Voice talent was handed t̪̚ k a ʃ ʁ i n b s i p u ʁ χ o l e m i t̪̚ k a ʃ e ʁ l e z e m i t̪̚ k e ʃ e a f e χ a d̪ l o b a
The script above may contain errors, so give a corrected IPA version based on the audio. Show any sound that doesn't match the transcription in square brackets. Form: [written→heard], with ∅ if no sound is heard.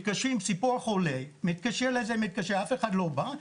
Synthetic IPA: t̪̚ k a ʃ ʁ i [n→m] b s i p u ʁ χ o l e m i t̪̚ k a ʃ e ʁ l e z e m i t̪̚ k [e→a] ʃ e a f e χ a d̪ l o b a